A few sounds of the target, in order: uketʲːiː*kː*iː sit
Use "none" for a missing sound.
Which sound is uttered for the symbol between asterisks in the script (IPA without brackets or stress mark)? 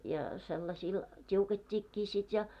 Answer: kː